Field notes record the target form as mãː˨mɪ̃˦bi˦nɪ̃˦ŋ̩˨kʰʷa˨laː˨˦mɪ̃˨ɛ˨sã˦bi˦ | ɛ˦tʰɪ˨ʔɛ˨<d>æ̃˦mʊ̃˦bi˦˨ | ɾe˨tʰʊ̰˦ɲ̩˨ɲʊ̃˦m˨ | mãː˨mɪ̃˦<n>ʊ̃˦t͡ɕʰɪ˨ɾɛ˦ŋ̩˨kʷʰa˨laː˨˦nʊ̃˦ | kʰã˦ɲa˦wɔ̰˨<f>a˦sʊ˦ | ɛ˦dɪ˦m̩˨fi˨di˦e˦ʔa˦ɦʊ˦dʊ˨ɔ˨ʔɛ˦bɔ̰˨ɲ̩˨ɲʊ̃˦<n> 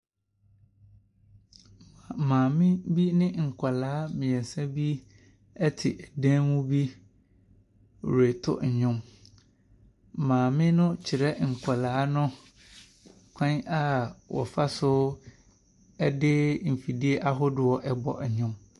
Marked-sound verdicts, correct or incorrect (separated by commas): correct, correct, correct, incorrect